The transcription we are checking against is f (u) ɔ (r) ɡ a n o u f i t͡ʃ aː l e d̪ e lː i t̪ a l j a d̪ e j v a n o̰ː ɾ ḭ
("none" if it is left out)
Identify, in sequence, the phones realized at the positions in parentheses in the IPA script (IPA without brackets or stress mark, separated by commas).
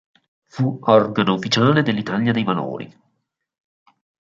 u, r